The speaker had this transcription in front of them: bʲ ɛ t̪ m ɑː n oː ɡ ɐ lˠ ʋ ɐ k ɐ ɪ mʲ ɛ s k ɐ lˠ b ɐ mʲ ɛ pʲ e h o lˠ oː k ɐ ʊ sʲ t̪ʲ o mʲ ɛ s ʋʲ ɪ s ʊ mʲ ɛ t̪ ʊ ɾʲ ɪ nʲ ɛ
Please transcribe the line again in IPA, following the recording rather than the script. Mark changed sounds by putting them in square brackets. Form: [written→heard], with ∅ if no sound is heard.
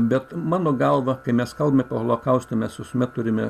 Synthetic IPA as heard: bʲ ɛ t̪ m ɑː n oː ɡ ɐ lˠ ʋ ɐ k ɐ ɪ mʲ ɛ s k ɐ lˠ b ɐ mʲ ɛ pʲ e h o lˠ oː k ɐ ʊ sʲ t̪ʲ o mʲ ɛ s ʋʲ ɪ s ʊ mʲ ɛ t̪ ʊ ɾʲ ɪ [nʲ→mʲ] ɛ

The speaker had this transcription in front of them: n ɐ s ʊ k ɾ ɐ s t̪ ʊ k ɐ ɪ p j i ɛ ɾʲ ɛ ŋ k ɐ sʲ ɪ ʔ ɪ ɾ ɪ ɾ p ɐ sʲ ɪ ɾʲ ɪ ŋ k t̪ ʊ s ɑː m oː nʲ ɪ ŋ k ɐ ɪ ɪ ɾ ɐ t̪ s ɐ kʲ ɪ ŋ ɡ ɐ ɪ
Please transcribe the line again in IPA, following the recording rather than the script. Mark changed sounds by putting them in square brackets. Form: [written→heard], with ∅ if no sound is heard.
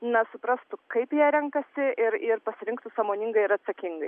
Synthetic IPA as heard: n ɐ s ʊ [k→p] ɾ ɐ s t̪ ʊ k ɐ ɪ p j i ɛ ɾʲ ɛ ŋ k ɐ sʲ ɪ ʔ ɪ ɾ ɪ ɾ p ɐ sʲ ɪ ɾʲ ɪ ŋ k t̪ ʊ s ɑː m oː nʲ ɪ ŋ [k→ɡ] ɐ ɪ ɪ ɾ ɐ t̪ s ɐ kʲ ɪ ŋ ɡ ɐ ɪ

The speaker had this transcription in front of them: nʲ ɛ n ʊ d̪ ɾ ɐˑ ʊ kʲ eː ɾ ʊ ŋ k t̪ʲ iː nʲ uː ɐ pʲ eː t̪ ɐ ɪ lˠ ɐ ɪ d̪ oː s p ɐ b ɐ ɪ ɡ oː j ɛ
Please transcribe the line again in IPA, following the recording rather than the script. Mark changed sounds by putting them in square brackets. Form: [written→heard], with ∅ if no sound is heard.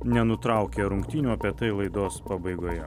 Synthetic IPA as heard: nʲ ɛ n ʊ [d̪→t̪] ɾ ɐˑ ʊ kʲ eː ɾ ʊ ŋ k t̪ʲ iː nʲ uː ɐ pʲ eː t̪ ɐ ɪ lˠ ɐ ɪ d̪ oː s p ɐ b ɐ ɪ ɡ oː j ɛ

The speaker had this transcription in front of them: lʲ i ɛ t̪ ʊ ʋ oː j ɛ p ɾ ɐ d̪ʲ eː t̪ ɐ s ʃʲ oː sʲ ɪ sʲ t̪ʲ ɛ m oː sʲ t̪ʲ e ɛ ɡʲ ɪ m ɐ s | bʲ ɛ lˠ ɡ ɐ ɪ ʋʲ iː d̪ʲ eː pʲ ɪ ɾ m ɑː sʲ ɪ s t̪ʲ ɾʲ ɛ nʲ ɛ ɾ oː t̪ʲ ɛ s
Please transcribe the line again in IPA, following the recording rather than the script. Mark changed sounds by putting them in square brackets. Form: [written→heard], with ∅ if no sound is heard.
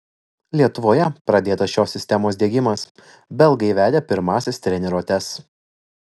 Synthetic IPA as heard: lʲ i ɛ t̪ ʊ ʋ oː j ɛ p ɾ ɐ d̪ʲ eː t̪ ɐ s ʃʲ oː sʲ ɪ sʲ t̪ʲ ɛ m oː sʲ [t̪ʲ→d̪ʲ] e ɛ ɡʲ ɪ m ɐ s | bʲ ɛ lˠ ɡ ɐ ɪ ʋʲ [iː→æː] d̪ʲ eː pʲ ɪ ɾ m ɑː sʲ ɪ s t̪ʲ ɾʲ ɛ nʲ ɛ ɾ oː t̪ʲ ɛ s

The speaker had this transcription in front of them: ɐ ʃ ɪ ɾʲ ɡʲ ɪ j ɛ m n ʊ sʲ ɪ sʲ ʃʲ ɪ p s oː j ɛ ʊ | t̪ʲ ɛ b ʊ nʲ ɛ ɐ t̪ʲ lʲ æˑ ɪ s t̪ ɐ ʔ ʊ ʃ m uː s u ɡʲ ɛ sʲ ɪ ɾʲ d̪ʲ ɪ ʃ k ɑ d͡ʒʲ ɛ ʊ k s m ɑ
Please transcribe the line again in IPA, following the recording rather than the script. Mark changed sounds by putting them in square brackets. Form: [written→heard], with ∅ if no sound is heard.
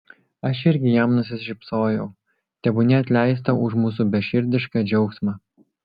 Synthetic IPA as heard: ɐ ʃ ɪ ɾʲ ɡʲ ɪ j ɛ m n ʊ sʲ ɪ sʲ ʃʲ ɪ p s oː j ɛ ʊ | t̪ʲ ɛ b ʊ nʲ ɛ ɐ t̪ʲ lʲ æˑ ɪ s t̪ ɐ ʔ ʊ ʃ m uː s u [ɡʲ→bʲ] ɛ [sʲ→ʃʲ] ɪ ɾʲ d̪ʲ ɪ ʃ k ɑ d͡ʒʲ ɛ ʊ k s m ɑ

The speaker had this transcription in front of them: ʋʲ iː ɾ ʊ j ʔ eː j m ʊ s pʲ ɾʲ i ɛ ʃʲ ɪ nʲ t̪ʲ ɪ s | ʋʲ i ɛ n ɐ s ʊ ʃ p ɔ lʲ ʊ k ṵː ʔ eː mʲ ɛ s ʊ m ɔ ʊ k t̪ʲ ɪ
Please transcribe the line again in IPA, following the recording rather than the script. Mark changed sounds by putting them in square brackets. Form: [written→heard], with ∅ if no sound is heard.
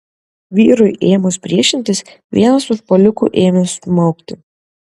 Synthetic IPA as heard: ʋʲ iː ɾ ʊ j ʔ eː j m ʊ s pʲ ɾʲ i ɛ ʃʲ ɪ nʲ t̪ʲ ɪ s | ʋʲ i ɛ n ɐ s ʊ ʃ p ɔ lʲ ʊ k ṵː ʔ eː mʲ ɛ s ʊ m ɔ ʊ k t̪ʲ ɪ

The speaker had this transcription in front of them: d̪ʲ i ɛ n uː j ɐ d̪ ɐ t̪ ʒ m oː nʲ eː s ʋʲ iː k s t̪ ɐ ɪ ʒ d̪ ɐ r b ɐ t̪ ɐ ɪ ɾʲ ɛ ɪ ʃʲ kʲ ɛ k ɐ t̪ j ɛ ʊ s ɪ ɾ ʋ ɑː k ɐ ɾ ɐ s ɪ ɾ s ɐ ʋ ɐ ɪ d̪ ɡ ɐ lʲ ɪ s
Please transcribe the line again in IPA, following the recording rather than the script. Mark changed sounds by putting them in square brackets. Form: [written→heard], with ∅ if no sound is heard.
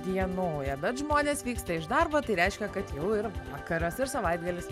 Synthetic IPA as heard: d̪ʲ i ɛ n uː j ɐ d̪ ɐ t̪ ʒ m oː nʲ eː s ʋʲ iː k s t̪ ɐ ɪ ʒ d̪ ɐ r b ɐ t̪ ɐ ɪ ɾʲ ɛ ɪ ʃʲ kʲ ɛ k ɐ t̪ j ɛ ʊ [s→∅] ɪ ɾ ʋ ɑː k ɐ ɾ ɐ s ɪ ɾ s ɐ ʋ ɐ ɪ d̪ ɡ ɐ lʲ ɪ s

